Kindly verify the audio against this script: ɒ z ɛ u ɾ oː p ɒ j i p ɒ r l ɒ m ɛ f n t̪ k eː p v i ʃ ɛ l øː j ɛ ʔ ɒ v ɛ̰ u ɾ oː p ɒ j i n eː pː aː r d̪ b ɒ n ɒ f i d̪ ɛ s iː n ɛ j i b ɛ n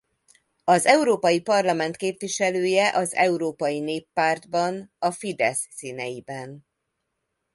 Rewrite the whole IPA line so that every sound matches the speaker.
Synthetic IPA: ɒ z ɛ u ɾ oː p ɒ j i p ɒ r l ɒ m ɛ n t̪ k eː p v i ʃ ɛ l øː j ɛ ʔ ɒ z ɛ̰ u ɾ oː p ɒ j i n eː pː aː r d̪ b ɒ n ɒ f i d̪ ɛ sː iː n ɛ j i b ɛ n

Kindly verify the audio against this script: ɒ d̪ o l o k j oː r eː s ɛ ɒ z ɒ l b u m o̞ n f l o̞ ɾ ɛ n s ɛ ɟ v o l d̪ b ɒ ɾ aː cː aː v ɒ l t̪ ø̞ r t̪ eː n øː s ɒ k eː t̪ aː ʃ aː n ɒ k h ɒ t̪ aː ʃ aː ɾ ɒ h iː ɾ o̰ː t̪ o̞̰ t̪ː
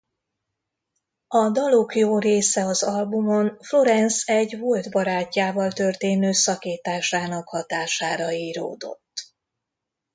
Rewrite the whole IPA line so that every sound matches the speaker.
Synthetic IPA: ɒ d̪ ɒ l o k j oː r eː s ɛ ɒ z ɒ l b u m o̞ n f l o̞ ɾ ɛ n s ɛ ɟ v o l d̪ b ɒ ɾ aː cː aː v ɒ l t̪ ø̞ r t̪ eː n øː s ɒ k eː t̪ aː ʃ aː n ɒ k h ɒ t̪ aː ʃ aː ɾ ɒ iː ɾ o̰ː d̪ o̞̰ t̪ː

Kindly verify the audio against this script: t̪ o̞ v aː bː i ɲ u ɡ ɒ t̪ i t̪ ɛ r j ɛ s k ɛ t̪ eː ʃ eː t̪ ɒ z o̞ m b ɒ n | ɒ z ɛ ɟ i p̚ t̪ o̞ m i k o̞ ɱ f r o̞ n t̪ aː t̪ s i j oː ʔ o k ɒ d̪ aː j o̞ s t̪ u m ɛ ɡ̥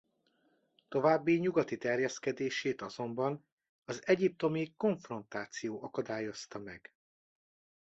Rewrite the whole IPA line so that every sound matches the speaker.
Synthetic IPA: t̪ o̞ v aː bː i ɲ u ɡ ɒ t̪ i t̪ ɛ r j ɛ s k ɛ d̪ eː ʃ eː t̪ ɒ z o̞ m b ɒ n | ɒ z ɛ ɟ i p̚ t̪ o̞ m i k o̞ ɱ f r o̞ n t̪ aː t̪ s i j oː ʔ ɒ k ɒ d̪ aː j o̞ s t̪ ɒ m ɛ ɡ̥

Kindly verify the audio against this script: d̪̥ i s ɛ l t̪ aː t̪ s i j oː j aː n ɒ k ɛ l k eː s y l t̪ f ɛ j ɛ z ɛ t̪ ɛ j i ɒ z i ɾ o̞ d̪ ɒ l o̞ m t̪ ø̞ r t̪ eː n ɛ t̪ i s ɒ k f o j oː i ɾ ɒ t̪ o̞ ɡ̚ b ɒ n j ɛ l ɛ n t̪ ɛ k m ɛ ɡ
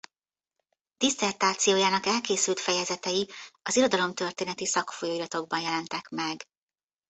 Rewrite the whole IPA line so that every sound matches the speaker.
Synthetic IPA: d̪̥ i s ɛ r t̪ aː t̪ s i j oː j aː n ɒ k ɛ l k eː s y l t̪ f ɛ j ɛ z ɛ t̪ ɛ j i ɒ z i ɾ o̞ d̪ ɒ l o̞ m t̪ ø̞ r t̪ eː n ɛ t̪ i s ɒ k f o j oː i ɾ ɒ t̪ o̞ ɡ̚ b ɒ n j ɛ l ɛ n t̪ ɛ k m ɛ ɡ

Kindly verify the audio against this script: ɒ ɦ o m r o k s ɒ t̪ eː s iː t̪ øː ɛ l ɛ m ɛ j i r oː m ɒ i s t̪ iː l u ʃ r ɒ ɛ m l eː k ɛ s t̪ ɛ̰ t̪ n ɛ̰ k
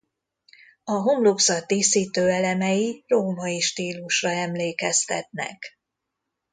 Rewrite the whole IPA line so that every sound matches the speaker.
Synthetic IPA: ɒ ɦ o m l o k s ɒ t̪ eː s iː t̪ øː ɛ l ɛ m ɛ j i r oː m ɒ i ʃ t̪ iː l u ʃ r ɒ ɛ m l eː k ɛ s t̪ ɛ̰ t̪ n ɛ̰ k

